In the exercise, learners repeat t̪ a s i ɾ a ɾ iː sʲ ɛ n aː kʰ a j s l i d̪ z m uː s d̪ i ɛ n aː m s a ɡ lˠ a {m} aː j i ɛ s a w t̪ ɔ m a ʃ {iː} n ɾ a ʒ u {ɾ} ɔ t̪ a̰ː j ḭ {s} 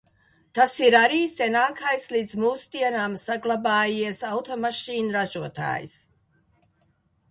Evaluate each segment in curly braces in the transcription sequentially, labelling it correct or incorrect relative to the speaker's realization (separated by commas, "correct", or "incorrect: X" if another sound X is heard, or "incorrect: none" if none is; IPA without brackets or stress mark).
incorrect: b, correct, incorrect: none, correct